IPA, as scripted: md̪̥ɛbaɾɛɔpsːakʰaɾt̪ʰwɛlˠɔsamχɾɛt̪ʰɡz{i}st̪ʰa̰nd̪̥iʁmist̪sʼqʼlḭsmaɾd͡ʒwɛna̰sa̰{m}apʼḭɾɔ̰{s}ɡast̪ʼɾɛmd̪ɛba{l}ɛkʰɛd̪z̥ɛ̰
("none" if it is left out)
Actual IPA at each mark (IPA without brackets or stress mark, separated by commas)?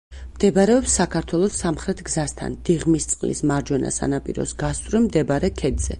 a, n, s, ɾ